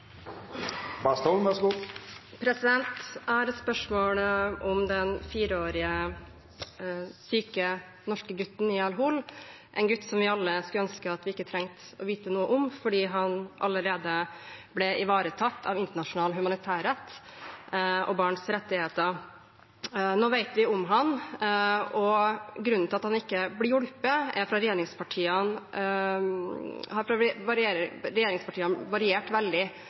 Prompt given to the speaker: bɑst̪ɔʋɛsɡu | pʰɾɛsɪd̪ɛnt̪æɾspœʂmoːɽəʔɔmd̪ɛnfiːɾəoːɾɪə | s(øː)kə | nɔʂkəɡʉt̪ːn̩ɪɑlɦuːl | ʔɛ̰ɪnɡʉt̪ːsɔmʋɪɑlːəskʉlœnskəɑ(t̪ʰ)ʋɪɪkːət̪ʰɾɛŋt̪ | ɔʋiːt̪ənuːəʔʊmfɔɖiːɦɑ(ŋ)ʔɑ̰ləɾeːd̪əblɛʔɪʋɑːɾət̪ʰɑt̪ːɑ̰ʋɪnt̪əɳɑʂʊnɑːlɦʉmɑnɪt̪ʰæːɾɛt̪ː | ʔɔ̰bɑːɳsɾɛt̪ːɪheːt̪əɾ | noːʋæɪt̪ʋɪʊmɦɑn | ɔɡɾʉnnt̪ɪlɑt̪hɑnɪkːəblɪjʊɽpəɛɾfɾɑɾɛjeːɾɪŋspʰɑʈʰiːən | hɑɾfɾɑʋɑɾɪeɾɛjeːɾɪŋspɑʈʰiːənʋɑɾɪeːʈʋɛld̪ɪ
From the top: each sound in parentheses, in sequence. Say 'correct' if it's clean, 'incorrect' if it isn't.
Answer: incorrect: yː, incorrect: t̪, incorrect: n

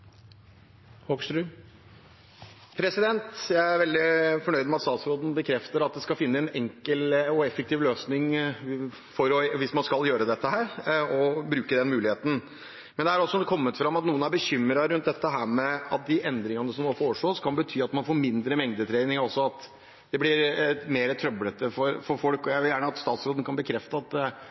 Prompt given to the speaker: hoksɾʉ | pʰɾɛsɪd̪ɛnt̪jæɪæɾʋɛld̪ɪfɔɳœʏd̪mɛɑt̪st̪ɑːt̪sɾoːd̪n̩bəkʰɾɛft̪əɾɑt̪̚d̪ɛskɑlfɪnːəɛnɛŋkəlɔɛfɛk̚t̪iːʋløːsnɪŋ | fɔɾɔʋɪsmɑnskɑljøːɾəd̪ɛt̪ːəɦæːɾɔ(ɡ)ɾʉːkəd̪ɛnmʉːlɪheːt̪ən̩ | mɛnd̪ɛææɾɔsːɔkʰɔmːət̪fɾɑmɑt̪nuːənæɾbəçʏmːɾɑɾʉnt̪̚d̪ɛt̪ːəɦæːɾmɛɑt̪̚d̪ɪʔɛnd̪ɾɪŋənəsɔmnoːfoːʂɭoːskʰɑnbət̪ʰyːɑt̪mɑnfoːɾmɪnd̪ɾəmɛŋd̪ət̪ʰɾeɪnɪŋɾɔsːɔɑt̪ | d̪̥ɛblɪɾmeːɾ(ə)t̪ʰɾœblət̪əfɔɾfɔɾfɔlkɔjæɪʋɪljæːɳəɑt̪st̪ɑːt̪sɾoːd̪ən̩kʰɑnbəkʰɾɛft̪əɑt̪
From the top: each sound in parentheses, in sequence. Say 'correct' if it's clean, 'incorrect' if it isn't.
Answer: incorrect: b, correct

